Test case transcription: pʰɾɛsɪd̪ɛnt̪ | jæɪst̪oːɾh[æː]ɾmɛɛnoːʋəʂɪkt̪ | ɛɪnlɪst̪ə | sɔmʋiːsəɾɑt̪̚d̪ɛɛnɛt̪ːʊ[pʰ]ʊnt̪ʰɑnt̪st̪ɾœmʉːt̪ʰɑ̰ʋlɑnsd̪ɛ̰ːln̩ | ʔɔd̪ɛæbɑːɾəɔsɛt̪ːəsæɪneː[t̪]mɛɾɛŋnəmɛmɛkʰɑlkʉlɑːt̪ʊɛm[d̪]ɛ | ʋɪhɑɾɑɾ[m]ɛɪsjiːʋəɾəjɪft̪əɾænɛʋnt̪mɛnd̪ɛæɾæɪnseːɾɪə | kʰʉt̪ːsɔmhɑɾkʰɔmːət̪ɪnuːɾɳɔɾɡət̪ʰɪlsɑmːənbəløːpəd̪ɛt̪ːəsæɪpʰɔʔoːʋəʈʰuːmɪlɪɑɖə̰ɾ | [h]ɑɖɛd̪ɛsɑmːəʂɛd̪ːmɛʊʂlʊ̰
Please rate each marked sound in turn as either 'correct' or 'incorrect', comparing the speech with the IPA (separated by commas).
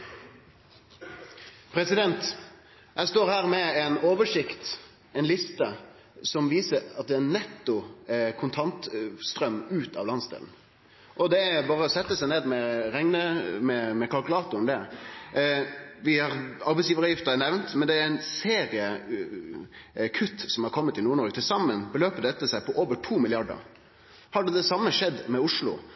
correct, incorrect, incorrect, correct, incorrect, correct